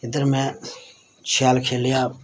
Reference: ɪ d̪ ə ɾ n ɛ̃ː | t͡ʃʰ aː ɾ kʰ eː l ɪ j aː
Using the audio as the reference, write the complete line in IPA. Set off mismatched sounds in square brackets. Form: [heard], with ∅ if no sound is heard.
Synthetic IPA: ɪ d̪ ə ɾ [m] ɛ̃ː | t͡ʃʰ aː [l] kʰ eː l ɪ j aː